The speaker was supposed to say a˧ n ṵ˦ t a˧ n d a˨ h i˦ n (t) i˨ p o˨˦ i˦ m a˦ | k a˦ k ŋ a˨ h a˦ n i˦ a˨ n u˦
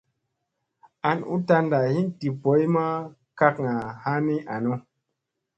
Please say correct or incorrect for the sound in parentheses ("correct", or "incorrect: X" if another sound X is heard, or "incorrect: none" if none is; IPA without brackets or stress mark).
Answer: correct